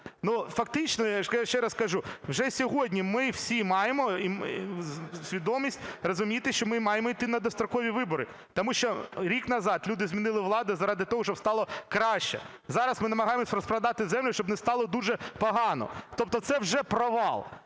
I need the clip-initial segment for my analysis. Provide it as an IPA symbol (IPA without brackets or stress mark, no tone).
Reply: n